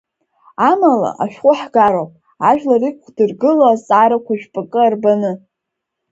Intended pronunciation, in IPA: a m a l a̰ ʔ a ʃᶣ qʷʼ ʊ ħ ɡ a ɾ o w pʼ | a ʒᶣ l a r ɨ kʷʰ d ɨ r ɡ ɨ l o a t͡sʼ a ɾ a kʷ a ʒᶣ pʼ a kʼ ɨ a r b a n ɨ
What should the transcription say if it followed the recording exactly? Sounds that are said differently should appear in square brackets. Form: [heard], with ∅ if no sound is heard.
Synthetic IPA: a m a l a̰ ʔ a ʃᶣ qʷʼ ʊ ħ ɡ a ɾ o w pʼ | a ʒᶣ l a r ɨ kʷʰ d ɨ r ɡ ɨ l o a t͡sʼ a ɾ a kʷ a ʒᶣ pʼ a kʼ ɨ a r b a n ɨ